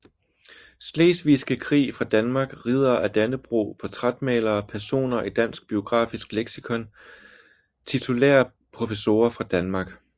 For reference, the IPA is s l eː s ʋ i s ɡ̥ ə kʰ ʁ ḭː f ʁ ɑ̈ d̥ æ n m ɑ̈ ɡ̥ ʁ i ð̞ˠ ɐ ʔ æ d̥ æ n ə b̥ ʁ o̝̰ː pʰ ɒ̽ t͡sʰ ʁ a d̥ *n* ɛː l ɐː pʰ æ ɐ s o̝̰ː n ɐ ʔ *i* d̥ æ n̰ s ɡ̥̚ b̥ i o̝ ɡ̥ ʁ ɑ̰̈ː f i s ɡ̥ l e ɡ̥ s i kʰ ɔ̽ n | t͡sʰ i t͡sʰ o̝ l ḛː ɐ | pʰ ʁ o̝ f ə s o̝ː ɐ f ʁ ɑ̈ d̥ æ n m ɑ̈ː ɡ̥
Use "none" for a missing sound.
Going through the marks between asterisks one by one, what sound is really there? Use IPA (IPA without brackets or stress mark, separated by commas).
m, i